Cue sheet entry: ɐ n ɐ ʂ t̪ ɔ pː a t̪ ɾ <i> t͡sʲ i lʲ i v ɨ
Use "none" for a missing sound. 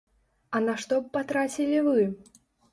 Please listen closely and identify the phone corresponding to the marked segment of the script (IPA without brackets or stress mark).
a